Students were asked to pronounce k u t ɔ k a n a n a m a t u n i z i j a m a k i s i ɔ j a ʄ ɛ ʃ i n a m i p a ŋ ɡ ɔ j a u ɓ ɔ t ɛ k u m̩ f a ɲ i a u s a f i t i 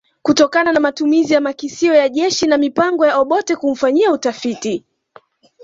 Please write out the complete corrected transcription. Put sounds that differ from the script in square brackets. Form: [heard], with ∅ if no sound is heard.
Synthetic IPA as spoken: k u t ɔ k a n a n a m a t u [m] i z i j a m a k i s i ɔ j a ʄ ɛ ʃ i n a m i p a ŋ ɡ ɔ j a [ɔ] ɓ ɔ t ɛ k u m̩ f a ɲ i a u [t] a f i t i